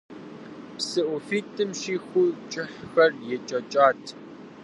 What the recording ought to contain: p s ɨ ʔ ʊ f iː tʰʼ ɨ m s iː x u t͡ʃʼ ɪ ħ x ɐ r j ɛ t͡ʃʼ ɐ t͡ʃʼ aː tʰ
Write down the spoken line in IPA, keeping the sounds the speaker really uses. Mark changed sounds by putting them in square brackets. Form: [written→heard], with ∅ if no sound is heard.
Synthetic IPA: p s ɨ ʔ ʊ f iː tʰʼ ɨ m [s→ʃ] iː x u t͡ʃʼ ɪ ħ x ɐ r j ɛ t͡ʃʼ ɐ t͡ʃʼ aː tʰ